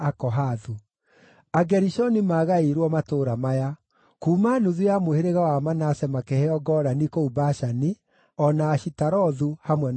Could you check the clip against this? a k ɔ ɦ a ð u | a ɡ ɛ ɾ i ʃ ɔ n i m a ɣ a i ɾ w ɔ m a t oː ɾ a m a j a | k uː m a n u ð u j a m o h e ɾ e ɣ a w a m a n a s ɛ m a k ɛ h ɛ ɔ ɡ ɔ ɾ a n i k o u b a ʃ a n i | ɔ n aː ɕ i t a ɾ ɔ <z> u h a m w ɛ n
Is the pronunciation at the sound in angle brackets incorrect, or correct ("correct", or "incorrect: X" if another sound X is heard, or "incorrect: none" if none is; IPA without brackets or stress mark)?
incorrect: ð